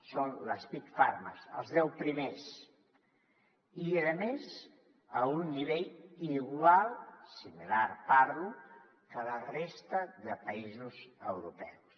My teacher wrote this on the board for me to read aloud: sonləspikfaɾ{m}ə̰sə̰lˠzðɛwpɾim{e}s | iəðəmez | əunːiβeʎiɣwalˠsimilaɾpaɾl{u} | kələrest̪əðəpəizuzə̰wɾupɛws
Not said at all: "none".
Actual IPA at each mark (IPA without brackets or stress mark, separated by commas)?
m, e, u